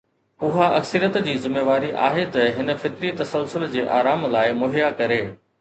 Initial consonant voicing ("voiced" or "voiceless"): voiced